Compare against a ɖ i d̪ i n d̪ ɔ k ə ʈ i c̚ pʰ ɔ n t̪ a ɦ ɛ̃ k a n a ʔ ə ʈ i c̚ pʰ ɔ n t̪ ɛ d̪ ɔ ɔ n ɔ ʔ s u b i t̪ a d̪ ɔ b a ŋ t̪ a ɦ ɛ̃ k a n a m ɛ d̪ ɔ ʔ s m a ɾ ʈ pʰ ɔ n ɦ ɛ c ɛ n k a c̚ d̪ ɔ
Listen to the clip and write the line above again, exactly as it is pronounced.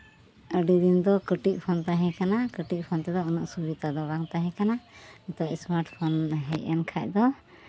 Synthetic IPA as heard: ə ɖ i d̪ i n d̪ ɔ k ə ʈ i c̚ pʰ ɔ n t̪ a ɦ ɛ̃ k a n a k ə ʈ i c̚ pʰ ɔ n t̪ ɛ d̪ ɔ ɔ n ɔ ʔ s u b i t̪ a d̪ ɔ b a ŋ t̪ a ɦ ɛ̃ k a n a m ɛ t̪ ɔ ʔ s m a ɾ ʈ pʰ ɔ n ɦ ɛ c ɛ n kʰ a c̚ d̪ ɔ

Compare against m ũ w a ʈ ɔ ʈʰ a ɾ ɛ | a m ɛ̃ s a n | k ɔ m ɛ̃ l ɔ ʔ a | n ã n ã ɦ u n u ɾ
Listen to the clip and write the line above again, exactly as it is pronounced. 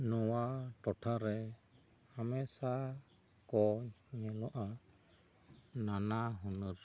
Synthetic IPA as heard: n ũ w a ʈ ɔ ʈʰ a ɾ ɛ | a m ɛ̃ s a | k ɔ ɲ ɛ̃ l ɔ ʔ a | n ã n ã ɦ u n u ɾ

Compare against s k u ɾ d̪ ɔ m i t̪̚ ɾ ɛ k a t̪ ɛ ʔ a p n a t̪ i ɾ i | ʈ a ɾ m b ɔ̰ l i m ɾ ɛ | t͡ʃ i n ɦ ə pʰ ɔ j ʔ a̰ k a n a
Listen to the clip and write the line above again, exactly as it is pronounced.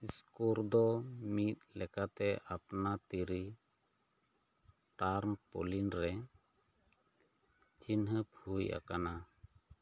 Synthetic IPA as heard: s k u ɾ d̪ ɔ m i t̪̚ l ɛ k a t̪ ɛ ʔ a p n a t̪ i ɾ i | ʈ a ɾ m p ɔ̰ l i n ɾ ɛ | t͡ʃ i n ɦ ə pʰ u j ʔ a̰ k a n a

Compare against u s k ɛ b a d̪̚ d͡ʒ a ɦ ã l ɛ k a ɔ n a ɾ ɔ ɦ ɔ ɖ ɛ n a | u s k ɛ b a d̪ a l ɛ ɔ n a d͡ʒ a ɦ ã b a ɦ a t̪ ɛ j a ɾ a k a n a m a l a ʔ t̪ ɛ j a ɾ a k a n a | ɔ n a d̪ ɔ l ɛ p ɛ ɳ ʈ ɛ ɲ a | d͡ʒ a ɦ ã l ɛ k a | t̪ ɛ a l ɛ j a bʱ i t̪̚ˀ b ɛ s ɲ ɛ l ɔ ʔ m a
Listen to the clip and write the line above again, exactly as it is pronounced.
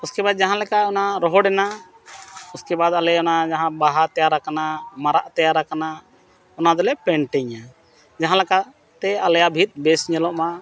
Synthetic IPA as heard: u s k ɛ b a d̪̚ d͡ʒ a ɦ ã l ɛ k a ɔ n a ɾ ɔ ɦ ɔ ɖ ɛ n a | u s k ɛ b a d̪ a l ɛ ɔ n a d͡ʒ a ɦ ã b a ɦ a t̪ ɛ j a ɾ a k a n a m a ɾ a ʔ t̪ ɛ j a ɾ a k a n a | ɔ n a d̪ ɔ l ɛ p ɛ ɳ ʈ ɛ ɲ a | d͡ʒ a ɦ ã l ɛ k a | t̪ ɛ a l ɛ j a bʱ i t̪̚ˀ b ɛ s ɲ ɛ l ɔ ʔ m a

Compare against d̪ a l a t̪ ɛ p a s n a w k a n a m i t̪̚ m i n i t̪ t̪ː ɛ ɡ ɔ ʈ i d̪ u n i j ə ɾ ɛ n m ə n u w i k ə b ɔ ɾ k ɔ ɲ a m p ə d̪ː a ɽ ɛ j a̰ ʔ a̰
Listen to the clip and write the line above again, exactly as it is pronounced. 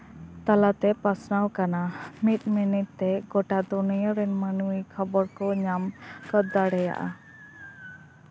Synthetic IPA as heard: t̪ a l a t̪ ɛ p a s n a w k a n a m i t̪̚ m i n i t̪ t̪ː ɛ ɡ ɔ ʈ a d̪ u n i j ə ɾ ɛ n m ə n u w i kʰ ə b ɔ ɾ k ɔ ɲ a m k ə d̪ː a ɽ ɛ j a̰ ʔ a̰

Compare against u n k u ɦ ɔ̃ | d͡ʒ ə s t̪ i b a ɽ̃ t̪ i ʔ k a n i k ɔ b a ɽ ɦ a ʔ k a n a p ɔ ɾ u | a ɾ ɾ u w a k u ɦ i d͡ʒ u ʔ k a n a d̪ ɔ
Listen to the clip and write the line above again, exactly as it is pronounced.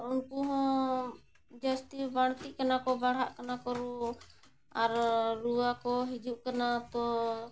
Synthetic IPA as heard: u n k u ɦ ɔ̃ | d͡ʒ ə s t̪ i b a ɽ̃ t̪ i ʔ k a n a k ɔ b a ɽ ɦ a ʔ k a n a k ɔ ɾ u | a ɾ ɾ u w a k ɔ ɦ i d͡ʒ u ʔ k a n a t̪ ɔ

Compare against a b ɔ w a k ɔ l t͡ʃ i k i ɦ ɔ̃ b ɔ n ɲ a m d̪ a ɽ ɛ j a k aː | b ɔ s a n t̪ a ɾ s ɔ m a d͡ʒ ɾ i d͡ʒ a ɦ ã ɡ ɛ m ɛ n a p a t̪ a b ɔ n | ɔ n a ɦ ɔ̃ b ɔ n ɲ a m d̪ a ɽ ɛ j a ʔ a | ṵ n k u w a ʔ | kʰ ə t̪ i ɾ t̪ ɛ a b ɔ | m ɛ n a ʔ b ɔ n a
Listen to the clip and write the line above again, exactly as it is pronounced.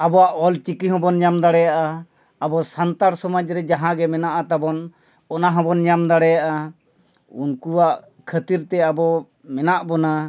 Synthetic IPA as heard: a b ɔ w a ʔ ɔ l t͡ʃ i k i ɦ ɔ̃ b ɔ n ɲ a m d̪ a ɽ ɛ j a ʔ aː | b ɔ s a n t̪ a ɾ s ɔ m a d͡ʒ ɾ ɛ d͡ʒ a ɦ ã ɡ ɛ m ɛ n a ʔ a t̪ a b ɔ n | ɔ n a ɦ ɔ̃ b ɔ n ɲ a m d̪ a ɽ ɛ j a ʔ a | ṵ n k u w a ʔ | kʰ ə t̪ i ɾ t̪ ɛ a b ɔ | m ɛ n a ʔ b ɔ n a

